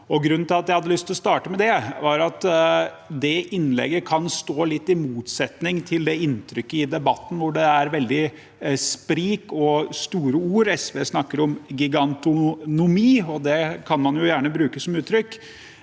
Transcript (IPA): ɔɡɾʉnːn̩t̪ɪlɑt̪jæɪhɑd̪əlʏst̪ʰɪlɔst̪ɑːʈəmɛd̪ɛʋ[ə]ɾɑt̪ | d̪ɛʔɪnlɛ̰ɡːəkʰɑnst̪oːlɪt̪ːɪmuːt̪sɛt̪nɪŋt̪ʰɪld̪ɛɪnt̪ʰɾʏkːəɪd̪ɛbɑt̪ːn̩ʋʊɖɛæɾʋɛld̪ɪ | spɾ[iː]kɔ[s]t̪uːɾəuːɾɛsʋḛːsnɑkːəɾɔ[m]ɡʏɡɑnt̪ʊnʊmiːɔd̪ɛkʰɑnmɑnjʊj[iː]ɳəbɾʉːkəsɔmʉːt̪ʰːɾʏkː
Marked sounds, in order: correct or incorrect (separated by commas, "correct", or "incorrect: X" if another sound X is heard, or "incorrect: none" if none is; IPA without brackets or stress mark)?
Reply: incorrect: ɑ, correct, correct, correct, incorrect: æː